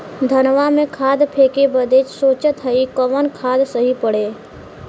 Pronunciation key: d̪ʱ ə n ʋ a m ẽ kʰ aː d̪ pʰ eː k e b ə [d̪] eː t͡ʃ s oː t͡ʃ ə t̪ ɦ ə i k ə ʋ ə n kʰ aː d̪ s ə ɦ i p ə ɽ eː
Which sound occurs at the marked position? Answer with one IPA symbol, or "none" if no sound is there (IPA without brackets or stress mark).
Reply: d̪